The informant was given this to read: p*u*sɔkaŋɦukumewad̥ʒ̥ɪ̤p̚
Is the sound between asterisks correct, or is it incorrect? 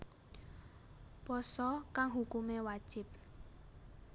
incorrect: ɔ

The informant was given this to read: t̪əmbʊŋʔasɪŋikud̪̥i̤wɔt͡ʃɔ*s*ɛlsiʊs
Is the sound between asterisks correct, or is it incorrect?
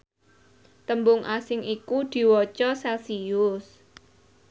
correct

